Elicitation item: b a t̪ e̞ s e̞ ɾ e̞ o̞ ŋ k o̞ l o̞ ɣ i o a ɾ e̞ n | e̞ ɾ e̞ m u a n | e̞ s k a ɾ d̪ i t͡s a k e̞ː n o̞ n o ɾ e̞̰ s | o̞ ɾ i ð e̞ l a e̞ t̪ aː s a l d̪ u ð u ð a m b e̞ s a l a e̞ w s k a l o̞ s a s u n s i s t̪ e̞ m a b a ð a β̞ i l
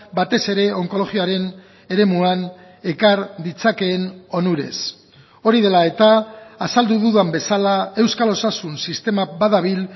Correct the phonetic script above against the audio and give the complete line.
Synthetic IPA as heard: b a t̪ e̞ s e̞ ɾ e̞ o̞ ŋ k o̞ l o̞ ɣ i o a ɾ e̞ n | e̞ ɾ e̞ m u a n | e̞ k a ɾ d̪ i t͡s a k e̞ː n o̞ n u ɾ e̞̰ s | o̞ ɾ i ð e̞ l a e̞ t̪ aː s a l d̪ u ð u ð a m b e̞ s a l a e̞ w s k a l o̞ s a s u n s i s t̪ e̞ m a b a ð a β̞ i l